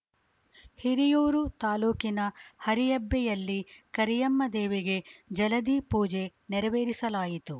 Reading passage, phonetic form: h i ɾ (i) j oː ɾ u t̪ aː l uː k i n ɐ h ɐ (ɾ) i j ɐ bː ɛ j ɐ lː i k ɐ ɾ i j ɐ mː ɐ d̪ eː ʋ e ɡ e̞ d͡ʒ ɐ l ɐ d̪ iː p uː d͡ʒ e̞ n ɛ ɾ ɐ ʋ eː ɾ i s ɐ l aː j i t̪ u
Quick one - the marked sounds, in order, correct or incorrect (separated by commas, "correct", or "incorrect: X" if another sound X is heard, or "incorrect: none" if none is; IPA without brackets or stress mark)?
correct, correct